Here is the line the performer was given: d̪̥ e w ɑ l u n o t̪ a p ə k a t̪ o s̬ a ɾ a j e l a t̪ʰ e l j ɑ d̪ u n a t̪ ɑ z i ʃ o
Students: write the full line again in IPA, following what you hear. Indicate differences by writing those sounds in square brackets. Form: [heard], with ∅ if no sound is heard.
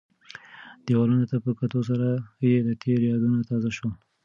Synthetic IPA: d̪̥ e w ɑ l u n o t̪ a p ə k a t̪ o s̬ a ɾ a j e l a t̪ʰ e [ɾ] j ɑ d̪ u n a t̪ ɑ z [a] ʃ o